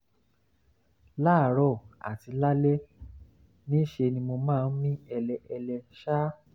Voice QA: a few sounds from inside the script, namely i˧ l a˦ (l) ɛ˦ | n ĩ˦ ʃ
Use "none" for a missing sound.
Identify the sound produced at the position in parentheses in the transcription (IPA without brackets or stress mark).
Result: l